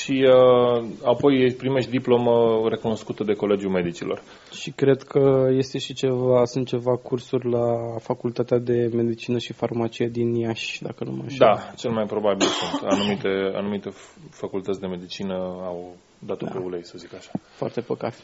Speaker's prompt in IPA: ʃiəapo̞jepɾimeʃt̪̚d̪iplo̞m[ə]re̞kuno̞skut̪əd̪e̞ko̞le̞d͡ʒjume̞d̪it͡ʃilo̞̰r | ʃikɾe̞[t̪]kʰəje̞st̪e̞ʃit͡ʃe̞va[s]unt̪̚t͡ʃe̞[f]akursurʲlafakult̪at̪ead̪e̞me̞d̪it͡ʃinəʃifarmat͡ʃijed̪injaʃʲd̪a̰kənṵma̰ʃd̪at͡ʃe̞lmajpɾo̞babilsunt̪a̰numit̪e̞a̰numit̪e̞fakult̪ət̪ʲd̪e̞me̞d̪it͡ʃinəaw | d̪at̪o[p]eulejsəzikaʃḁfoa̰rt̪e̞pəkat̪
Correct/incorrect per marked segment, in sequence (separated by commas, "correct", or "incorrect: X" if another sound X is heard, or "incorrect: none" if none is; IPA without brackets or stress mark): correct, incorrect: d̪, correct, incorrect: v, correct